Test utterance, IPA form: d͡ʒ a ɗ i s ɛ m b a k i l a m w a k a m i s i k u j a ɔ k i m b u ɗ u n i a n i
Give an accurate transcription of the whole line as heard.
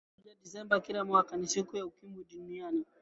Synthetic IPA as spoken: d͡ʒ a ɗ i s ɛ m b a k i l a m w a k a n i s i k u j a u k i m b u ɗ u n i a n i